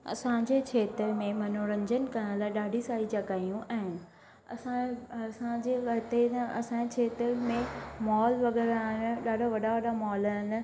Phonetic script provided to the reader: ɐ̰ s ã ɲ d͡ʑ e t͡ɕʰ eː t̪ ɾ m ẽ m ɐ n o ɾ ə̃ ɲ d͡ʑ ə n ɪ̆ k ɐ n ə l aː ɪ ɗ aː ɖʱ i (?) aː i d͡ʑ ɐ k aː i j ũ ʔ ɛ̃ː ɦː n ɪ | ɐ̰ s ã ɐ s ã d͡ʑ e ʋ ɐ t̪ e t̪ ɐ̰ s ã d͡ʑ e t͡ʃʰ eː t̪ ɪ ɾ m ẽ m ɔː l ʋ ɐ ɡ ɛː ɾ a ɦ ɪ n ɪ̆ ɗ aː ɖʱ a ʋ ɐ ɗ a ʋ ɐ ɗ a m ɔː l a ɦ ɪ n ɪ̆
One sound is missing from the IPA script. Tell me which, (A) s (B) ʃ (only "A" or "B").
A